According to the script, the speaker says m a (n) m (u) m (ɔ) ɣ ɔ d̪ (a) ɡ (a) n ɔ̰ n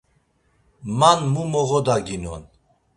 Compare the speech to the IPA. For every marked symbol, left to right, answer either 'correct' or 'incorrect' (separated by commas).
correct, correct, correct, correct, incorrect